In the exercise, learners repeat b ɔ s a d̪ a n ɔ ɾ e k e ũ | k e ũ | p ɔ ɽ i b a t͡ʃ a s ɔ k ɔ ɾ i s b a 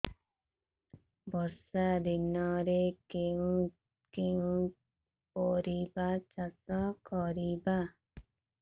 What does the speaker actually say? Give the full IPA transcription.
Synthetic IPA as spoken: b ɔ s a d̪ i n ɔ ɾ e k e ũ | k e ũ | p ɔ ɾ i b a t͡ʃ a s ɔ k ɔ ɾ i b a